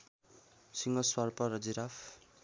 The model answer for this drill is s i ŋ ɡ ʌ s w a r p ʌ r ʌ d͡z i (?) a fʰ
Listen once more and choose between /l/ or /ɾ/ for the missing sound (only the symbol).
ɾ